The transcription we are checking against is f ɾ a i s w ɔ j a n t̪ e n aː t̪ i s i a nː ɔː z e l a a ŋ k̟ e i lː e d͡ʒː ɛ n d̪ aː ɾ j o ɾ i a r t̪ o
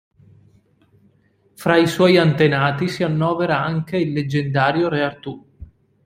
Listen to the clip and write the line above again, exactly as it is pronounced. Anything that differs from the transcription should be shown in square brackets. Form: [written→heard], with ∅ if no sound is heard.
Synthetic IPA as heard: f ɾ a i s w ɔ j a n t̪ e n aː t̪ i s i a nː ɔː [z→v] e [l→ɾ] a a ŋ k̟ e i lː e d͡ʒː [ɛ→e] n d̪ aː ɾ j o ɾ [i→e] a r t̪ [o→u]